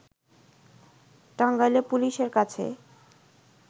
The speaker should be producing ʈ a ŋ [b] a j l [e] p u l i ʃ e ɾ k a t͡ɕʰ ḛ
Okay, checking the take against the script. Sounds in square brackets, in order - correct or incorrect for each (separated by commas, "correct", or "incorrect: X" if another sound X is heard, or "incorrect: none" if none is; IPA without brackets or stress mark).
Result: incorrect: ɡ, correct